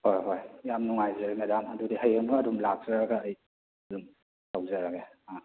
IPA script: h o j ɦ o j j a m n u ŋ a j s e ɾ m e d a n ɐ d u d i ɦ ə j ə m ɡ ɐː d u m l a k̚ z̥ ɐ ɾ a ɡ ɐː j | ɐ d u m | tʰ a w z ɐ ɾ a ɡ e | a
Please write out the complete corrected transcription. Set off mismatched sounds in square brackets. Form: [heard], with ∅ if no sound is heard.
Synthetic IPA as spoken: h o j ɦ o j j a m n u ŋ a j [z] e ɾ m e d a [m] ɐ d u d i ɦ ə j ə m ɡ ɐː d u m l a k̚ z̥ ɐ ɾ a ɡ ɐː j | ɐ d u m | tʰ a w z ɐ ɾ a ɡ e | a

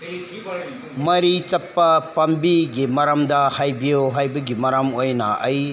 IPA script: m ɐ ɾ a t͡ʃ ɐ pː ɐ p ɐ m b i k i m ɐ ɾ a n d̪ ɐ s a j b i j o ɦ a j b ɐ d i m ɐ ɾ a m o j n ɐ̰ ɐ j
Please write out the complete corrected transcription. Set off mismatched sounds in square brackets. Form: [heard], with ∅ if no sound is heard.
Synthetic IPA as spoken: m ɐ ɾ [i] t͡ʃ ɐ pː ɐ p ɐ m b i [ɡ] i m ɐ ɾ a [m] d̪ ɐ [h] a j b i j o ɦ a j b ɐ [ɡ] i m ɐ ɾ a m o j n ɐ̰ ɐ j

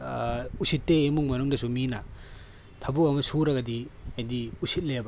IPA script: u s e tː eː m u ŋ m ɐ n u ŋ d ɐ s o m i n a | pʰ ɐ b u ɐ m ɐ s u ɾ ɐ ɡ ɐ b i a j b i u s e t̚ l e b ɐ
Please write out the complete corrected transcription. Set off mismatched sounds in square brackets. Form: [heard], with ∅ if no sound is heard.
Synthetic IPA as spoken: u s [i] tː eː m u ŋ m ɐ n u ŋ d ɐ s [u] m i n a | [tʰ] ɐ b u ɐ m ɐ s u ɾ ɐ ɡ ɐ [d] i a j [d] i u s [i] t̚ l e b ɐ

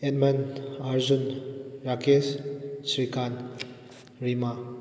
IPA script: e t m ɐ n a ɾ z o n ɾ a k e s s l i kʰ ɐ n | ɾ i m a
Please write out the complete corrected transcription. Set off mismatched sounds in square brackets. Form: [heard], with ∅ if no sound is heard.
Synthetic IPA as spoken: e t m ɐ n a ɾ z [u] n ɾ a k e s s [ɾ] i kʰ [a] n | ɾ i m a

